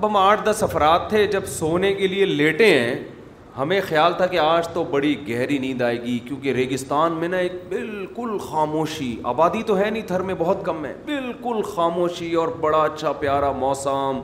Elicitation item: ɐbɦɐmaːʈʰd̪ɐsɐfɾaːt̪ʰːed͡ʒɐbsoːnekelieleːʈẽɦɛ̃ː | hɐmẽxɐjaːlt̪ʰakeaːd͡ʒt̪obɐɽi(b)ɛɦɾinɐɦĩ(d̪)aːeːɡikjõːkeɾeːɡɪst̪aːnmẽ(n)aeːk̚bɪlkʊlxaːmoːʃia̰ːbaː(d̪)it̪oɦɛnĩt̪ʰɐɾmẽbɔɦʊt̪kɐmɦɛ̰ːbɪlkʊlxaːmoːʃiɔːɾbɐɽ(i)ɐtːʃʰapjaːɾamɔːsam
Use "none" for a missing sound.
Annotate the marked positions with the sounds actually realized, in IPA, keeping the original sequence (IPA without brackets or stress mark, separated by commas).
ɡ, d̪, n, d̪, a